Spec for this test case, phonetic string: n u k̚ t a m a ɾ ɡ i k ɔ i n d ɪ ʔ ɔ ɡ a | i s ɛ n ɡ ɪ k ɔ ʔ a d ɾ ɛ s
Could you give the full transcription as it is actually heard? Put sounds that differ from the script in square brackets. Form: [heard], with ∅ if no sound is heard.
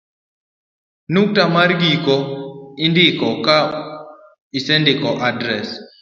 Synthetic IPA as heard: n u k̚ t a m a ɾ ɡ i k ɔ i n d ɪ [k] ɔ [k] a | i s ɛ n [d] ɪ k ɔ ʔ a d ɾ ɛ s